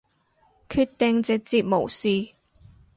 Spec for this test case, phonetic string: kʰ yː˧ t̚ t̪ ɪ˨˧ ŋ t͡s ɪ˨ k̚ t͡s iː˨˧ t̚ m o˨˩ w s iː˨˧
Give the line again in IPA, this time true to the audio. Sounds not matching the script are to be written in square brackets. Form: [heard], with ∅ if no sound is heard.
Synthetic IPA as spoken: kʰ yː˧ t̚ t̪ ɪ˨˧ ŋ t͡s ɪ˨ k̚ t͡s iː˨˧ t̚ m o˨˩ w s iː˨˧